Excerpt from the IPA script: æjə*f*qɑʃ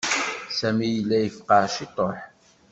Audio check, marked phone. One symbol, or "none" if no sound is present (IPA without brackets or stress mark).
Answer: f